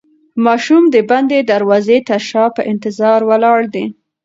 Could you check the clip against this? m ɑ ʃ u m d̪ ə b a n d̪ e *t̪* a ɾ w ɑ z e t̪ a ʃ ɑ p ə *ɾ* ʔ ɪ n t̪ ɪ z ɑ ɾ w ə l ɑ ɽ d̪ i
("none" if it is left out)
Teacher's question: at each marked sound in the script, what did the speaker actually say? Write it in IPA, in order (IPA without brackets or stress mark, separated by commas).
d̪, none